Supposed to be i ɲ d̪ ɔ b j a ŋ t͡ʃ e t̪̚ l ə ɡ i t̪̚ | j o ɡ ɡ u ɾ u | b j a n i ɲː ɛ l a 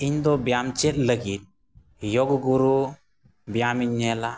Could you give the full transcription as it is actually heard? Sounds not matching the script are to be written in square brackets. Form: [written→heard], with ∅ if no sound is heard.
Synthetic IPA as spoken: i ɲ d̪ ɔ b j a [ŋ→m] t͡ʃ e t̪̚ l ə ɡ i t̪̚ | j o ɡ ɡ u ɾ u | b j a [n→m] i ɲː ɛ l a